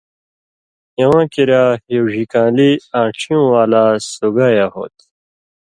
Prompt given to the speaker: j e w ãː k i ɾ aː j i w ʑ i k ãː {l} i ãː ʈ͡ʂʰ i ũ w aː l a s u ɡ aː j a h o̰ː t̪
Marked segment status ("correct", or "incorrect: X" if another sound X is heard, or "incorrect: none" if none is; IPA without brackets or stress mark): correct